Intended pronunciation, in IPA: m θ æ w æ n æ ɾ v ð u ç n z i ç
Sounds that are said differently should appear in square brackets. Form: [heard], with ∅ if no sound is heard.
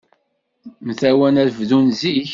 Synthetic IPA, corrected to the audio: m θ æ w æ n æ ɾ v ð u [∅] n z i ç